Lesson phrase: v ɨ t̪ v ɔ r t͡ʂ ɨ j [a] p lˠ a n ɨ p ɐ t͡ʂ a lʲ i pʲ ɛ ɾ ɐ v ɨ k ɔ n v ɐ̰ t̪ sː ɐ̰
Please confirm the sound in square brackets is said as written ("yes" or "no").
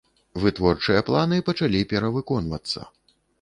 no